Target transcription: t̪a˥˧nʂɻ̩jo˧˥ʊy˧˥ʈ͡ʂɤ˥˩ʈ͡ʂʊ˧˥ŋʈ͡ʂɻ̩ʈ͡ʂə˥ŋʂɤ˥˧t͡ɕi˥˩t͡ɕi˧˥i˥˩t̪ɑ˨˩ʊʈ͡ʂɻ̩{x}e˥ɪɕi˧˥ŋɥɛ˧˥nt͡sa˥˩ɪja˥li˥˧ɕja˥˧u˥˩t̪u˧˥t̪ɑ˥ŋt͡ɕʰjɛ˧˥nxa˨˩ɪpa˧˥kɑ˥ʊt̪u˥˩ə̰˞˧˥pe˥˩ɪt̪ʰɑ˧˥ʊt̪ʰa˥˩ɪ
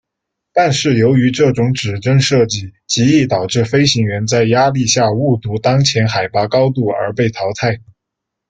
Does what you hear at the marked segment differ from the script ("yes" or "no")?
yes